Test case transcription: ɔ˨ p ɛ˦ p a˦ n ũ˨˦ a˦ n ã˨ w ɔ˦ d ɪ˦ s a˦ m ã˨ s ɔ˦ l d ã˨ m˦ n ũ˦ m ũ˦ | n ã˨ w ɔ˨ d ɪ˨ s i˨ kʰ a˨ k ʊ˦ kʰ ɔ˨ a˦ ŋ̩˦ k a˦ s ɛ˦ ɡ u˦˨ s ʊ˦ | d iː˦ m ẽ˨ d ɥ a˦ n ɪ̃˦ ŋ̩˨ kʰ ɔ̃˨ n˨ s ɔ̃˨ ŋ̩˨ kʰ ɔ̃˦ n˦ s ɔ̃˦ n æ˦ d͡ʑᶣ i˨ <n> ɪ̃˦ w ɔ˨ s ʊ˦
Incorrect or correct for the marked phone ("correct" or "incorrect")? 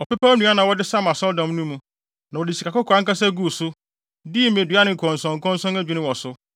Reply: correct